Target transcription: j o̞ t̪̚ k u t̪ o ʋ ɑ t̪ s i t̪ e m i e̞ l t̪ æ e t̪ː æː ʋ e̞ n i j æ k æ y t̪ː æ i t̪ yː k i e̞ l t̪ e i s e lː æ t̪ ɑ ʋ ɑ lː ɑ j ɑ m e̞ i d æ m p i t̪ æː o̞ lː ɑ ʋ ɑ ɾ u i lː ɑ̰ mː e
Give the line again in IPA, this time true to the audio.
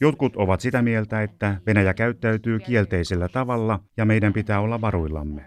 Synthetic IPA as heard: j o̞ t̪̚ k u t̪ o ʋ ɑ t̪ s i t̪ æ m i e̞ l t̪ æ e t̪ː æ ʋ e̞ n æ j æ k æ y t̪ː æ y t̪ yː k i e̞ l t̪ e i s e lː æ t̪ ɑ ʋ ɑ lː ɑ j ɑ m e̞ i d æ m p i t̪ æː o̞ lː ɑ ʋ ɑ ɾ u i lː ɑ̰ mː e